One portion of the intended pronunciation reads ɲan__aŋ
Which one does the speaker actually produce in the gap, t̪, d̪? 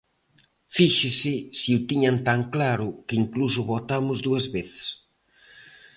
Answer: t̪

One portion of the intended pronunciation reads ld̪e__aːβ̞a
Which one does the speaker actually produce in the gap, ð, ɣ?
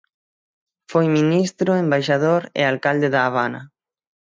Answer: ð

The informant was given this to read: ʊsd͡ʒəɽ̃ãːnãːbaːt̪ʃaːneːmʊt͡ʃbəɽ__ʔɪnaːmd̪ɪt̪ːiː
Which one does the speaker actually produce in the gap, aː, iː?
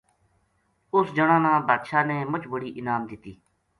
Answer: iː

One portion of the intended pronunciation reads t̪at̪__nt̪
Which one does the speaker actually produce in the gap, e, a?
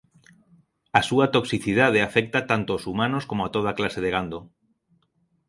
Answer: a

